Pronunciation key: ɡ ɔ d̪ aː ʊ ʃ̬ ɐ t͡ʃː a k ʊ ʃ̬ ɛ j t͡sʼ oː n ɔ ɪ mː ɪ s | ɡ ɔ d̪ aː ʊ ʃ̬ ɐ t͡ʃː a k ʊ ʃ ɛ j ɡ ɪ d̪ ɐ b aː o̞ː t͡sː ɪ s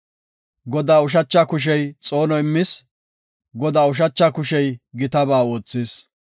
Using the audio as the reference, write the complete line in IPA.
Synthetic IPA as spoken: ɡ ɔ d̪ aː ʊ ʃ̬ ɐ t͡ʃː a k ʊ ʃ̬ ɛ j t͡sʼ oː n ɔ ɪ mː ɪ s | ɡ ɔ d̪ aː ʊ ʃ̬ ɐ t͡ʃː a k ʊ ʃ ɛ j ɡ ɪ t̪ ɐ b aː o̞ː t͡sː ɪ s

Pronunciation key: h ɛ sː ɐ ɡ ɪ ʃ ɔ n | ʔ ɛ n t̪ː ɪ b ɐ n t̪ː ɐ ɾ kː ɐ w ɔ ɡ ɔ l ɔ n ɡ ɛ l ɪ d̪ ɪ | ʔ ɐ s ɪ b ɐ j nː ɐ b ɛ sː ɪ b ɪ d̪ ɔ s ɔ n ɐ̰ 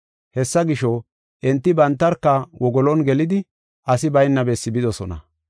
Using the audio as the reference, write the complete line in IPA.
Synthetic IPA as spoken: h ɛ sː ɐ ɡ ɪ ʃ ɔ | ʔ ɛ n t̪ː ɪ b ɐ n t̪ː ɐ ɾ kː ɐ w ɔ ɡ ɔ l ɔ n ɡ ɛ l ɪ d̪ ɪ | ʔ ɐ s ɪ b ɐ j nː ɐ b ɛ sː ɪ b ɪ d̪ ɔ s ɔ n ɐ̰

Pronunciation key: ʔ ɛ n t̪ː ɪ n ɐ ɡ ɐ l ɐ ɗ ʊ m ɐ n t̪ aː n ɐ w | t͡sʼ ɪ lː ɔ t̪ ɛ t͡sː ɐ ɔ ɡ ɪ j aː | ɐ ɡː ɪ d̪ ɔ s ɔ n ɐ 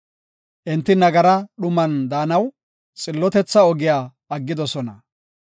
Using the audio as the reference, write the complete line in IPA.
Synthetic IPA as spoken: ʔ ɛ n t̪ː ɪ n ɐ ɡ ɐ ɾ ɐ ɗ ʊ m ɐ n d̪ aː n ɐ w | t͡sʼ ɪ lː ɔ t̪ ɛ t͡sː ɐ ɔ ɡ ɪ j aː | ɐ ɡː ɪ d̪ ɔ s ɔ n ɐ

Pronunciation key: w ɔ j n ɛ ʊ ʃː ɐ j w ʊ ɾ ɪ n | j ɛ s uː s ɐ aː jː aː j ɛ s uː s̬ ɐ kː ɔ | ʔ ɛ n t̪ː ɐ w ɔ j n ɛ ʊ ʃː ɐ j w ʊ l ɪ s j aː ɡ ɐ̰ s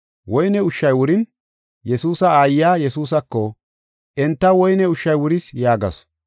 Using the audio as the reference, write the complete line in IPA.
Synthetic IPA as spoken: w ɔ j n ɛ ʊ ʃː ɐ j w ʊ ɾ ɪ n | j ɛ s uː s ɐ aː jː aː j ɛ s uː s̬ ɐ kː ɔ | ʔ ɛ n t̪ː ɐ w ɔ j n ɛ ʊ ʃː ɐ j w ʊ ɾ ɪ s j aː ɡ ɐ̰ s

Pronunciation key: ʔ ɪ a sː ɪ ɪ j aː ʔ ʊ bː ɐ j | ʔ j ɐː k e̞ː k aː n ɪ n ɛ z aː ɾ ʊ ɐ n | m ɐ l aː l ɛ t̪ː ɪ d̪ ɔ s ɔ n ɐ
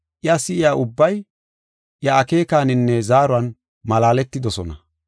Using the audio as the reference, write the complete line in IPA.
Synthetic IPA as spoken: ʔ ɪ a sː ɪ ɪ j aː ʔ ʊ bː ɐ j | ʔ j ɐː k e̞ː k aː n ɪ nː ɛ z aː ɾ ʊ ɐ n | m ɐ l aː l ɛ t̪ː ɪ d̪ ɔ s ɔ n ɐ

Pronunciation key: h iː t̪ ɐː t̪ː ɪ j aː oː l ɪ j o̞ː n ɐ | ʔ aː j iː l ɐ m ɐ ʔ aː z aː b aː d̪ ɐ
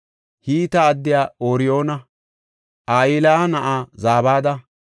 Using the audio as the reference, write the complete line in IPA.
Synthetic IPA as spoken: h iː t̪ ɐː d̪ː ɪ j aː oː ɾ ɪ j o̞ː n ɐ | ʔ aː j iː l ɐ n ɐ ʔ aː z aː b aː d̪ ɐ

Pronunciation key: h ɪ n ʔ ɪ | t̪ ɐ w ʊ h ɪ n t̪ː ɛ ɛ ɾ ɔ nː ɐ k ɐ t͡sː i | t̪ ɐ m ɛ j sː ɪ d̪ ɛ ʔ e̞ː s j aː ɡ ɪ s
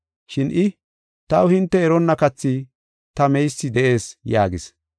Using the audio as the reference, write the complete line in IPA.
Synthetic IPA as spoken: ʃ ɪ n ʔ ɪ | t̪ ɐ w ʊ h ɪ n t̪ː ɛ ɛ ɾ ɔ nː ɐ k ɐ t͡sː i | t̪ ɐ m ɛ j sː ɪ d̪ ɛ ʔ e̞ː s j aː ɡ ɪ s

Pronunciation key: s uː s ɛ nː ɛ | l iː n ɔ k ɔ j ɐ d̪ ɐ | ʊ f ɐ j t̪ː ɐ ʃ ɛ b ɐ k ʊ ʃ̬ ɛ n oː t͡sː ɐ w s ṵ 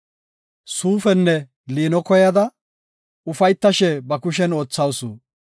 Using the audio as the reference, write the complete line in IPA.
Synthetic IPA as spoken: s uː f ɛ nː ɛ | l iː n ɔ k ɔ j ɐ d̪ ɐ | ʊ f ɐ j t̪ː ɐ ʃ ɛ b ɐ k ʊ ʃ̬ ɛ n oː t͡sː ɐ w s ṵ

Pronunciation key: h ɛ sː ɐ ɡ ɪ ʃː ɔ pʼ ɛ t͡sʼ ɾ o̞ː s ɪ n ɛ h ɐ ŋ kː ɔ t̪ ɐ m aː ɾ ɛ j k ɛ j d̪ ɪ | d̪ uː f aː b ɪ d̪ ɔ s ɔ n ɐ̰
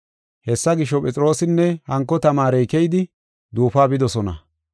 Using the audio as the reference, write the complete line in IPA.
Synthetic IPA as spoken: h ɛ sː ɐ ɡ ɪ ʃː ɔ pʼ ɛ t͡sʼ ɾ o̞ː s ɪ nː ɛ h ɐ ŋ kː ɔ t̪ ɐ m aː ɾ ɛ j k ɛ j d̪ ɪ | d̪ uː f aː b ɪ d̪ ɔ s ɔ n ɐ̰

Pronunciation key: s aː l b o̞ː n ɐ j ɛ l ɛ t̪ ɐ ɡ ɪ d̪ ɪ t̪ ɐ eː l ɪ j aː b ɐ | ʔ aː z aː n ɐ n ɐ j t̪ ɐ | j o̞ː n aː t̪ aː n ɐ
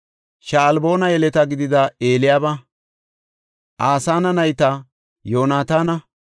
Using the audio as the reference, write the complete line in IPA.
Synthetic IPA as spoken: ʃ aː l b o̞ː n ɐ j ɛ l ɛ t̪ ɐ ɡ ɪ d̪ ɪ d̪ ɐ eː l ɪ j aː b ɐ | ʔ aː s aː n ɐ n ɐ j t̪ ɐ | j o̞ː n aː t̪ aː n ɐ

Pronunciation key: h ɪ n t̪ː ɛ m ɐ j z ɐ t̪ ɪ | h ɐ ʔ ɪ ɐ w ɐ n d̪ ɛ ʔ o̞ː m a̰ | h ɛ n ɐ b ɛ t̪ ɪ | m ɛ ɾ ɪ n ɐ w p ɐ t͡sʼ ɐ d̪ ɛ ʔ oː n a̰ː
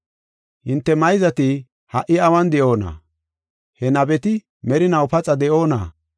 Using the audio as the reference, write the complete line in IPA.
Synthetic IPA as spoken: h ɪ n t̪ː ɛ m ɐ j z ɐ t̪ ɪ | h ɐ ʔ ɪ ɐ w ɐ n d̪ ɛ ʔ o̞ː n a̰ | h ɛ n ɐ b ɛ t̪ ɪ | m ɛ ɾ ɪ n ɐ w p ɐ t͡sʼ ɐ d̪ ɛ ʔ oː n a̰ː

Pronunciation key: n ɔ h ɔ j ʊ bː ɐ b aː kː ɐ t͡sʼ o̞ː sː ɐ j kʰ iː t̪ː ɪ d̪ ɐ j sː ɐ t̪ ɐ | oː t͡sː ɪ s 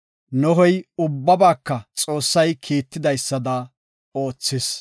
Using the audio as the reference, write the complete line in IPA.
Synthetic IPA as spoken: n ɔ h ɔ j ʊ bː ɐ b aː kː ɐ t͡sʼ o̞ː sː ɐ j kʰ iː t̪ː ɪ d̪ ɐ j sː ɐ d̪ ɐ | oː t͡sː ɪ s

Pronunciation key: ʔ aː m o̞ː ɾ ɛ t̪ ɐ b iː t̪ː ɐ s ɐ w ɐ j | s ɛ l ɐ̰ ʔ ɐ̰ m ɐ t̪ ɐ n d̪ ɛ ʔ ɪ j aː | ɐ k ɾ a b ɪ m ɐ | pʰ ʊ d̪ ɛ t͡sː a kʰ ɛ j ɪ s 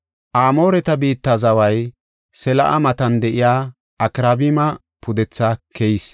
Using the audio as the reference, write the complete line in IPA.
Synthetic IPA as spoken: ʔ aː m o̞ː ɾ ɛ t̪ ɐ b iː t̪ː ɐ z ɐ w ɐ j | s ɛ l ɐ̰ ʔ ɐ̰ m ɐ t̪ ɐ n d̪ ɛ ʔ ɪ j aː | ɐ k ɾ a b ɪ m ɐ | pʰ ʊ d̪ ɛ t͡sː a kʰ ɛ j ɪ s

